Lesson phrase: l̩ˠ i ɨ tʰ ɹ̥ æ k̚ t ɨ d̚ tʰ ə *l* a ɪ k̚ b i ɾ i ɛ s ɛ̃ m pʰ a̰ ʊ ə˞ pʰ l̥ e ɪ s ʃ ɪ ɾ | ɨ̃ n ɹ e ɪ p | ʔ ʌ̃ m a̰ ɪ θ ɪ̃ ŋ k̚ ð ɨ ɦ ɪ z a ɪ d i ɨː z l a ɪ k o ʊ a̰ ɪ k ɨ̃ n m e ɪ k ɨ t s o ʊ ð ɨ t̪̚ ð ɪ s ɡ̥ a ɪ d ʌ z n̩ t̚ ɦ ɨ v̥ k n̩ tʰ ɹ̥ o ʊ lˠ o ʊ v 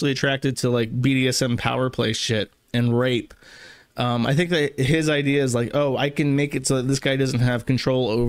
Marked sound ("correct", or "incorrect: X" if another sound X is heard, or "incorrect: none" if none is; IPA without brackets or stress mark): correct